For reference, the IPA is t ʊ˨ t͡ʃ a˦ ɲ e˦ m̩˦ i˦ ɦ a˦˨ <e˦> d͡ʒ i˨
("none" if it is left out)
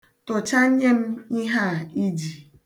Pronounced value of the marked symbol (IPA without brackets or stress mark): i˦